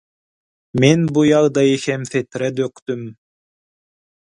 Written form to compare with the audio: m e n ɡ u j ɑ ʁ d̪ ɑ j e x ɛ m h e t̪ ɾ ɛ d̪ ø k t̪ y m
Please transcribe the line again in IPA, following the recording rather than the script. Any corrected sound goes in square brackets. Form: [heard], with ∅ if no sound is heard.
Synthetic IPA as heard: m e n [b] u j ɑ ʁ d̪ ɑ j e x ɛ m [θ] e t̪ ɾ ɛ d̪ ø k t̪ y m